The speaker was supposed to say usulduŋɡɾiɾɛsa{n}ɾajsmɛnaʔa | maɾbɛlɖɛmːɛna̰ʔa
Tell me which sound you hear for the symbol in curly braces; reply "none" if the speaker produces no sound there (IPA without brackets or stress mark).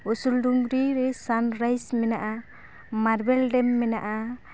n